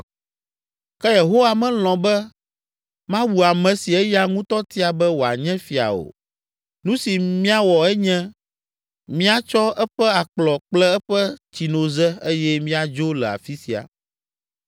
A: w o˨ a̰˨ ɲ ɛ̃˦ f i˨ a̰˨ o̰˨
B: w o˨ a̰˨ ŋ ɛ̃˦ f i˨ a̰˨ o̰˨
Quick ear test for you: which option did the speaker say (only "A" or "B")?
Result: A